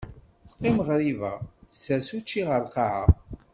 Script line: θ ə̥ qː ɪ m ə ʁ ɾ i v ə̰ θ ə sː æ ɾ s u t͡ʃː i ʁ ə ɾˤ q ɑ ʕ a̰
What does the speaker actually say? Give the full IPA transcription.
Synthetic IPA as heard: θ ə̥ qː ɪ m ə ʁ ɾ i v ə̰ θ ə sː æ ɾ s u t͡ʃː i ʁ ə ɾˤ q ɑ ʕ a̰